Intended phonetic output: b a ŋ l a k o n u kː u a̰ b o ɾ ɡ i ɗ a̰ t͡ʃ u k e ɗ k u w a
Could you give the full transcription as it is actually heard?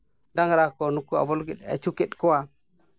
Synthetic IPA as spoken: d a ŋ ɾ a k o n u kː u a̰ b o l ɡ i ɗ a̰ t͡ʃ u k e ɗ k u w a